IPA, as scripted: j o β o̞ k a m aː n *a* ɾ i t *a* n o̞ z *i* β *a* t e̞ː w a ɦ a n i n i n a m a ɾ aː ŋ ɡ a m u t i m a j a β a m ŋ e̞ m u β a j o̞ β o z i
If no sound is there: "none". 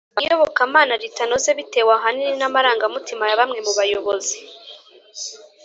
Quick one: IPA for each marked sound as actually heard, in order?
a, a, e, i

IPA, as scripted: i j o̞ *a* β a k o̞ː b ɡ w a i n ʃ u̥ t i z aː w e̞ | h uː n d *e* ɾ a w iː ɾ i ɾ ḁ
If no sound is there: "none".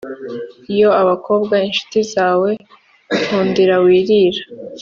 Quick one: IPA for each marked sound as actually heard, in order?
a, i

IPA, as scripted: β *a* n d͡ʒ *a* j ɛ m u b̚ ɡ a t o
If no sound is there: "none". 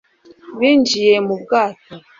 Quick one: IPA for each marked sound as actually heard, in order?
i, i

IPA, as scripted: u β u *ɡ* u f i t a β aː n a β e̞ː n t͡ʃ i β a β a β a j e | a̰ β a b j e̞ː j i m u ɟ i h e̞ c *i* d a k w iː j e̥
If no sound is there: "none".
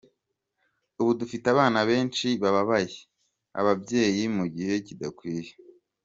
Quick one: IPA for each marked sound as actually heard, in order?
d, i

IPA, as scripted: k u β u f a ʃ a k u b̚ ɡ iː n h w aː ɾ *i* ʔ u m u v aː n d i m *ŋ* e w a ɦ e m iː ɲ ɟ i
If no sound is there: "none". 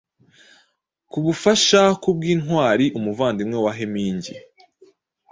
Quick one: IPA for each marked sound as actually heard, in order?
i, ŋ

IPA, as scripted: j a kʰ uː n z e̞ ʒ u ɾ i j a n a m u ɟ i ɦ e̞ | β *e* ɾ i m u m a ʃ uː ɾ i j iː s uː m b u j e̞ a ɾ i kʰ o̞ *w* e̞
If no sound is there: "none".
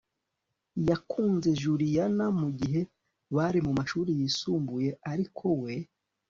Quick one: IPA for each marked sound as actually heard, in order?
a, w

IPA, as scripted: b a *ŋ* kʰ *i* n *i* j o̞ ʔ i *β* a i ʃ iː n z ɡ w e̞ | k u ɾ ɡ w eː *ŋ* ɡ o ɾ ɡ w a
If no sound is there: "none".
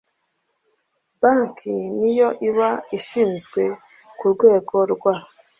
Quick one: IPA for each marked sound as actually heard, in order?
ŋ, i, i, β, none

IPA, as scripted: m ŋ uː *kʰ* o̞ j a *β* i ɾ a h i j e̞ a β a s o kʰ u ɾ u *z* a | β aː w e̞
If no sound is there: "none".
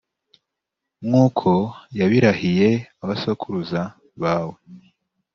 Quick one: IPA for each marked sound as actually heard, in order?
kʰ, β, z

